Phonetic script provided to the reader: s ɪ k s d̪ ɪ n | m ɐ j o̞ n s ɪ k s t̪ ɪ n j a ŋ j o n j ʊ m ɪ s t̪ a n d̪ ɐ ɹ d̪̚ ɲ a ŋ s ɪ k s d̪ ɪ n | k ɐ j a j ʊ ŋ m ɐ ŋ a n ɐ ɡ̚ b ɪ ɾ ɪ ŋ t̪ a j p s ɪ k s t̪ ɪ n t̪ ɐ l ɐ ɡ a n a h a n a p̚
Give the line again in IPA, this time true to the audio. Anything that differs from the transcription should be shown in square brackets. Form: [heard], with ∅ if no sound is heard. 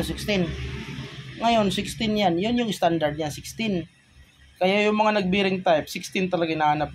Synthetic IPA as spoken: s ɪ k s [t̪] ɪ n | [ŋ] ɐ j o̞ n s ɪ k s t̪ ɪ n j a [n] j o n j ʊ [ŋ] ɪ s t̪ a n d̪ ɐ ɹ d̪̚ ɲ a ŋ s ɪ k s [t̪] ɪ n | k ɐ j a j ʊ ŋ m ɐ ŋ a n ɐ ɡ̚ b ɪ ɾ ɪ ŋ t̪ a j p s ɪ k s t̪ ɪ n t̪ ɐ l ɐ ɡ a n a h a n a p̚